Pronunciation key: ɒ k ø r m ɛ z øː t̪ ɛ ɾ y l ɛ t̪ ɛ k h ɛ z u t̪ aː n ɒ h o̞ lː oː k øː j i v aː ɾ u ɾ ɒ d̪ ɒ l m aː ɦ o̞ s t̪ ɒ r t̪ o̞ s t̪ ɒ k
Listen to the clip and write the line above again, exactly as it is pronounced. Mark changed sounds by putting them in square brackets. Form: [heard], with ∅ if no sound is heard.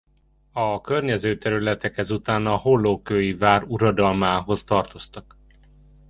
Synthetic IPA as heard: ɒ k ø r [ɲ] ɛ z øː t̪ ɛ ɾ y l ɛ t̪ ɛ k h ɛ z u t̪ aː n ɒ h o̞ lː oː k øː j i v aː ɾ u ɾ ɒ d̪ ɒ l m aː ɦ o̞ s t̪ ɒ r t̪ o̞ s t̪ ɒ k